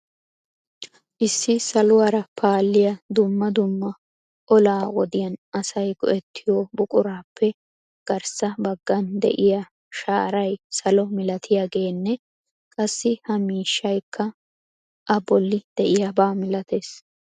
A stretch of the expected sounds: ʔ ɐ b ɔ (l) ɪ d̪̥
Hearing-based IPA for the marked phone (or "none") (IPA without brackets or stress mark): lː